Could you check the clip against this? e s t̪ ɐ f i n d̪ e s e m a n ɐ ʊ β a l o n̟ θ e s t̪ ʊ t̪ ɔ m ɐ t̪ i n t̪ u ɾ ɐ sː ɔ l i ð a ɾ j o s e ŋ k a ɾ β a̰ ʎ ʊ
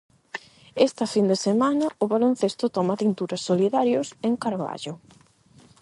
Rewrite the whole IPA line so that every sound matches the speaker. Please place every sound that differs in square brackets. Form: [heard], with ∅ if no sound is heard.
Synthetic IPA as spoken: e s t̪ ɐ f i n d̪ e s e m a n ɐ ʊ β a l o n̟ θ e s t̪ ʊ t̪ ɔ m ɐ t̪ i n t̪ u ɾ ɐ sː [o] l i ð a ɾ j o s e ŋ k a ɾ β a̰ ʎ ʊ